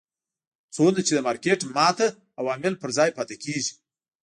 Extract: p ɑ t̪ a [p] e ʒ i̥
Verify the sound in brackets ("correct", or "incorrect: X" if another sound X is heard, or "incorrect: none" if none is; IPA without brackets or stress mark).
incorrect: k